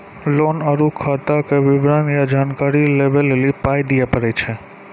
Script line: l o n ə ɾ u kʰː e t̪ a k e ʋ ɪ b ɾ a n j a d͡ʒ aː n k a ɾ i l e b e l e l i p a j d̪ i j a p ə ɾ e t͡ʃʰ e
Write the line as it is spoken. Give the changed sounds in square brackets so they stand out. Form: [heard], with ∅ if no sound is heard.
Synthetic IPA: l o n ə ɾ u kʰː [a] t̪ a k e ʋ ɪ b ɾ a n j a d͡ʒ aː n k a ɾ i l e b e l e l i p a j d̪ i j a p ə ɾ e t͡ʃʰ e